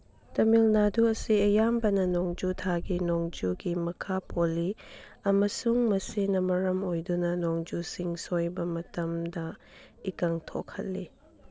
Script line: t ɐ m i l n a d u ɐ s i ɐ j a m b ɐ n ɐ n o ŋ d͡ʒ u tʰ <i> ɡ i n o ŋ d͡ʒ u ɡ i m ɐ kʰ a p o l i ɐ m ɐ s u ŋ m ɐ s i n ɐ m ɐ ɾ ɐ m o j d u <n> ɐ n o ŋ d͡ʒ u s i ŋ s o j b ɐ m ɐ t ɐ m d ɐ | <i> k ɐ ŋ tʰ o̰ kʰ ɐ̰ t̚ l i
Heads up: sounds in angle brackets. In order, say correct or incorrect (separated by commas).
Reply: incorrect, correct, correct